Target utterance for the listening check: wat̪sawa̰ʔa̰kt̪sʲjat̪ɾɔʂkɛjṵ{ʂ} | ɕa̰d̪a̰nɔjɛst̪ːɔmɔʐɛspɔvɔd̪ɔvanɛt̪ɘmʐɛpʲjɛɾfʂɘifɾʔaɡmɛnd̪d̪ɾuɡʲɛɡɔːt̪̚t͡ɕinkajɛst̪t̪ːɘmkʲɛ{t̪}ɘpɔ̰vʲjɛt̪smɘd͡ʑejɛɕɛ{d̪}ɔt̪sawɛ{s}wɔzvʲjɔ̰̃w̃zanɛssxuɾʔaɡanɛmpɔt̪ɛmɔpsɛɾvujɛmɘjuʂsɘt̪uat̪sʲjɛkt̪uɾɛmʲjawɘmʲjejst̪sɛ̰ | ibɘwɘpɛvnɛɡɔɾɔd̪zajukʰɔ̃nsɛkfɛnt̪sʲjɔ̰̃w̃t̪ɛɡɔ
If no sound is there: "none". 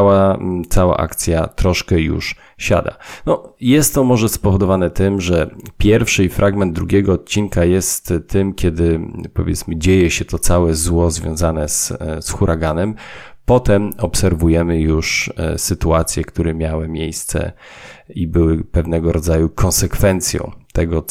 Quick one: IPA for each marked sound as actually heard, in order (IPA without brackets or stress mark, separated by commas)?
ʂ, d̪, t̪, z